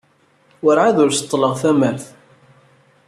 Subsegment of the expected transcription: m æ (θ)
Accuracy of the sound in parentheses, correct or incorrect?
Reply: correct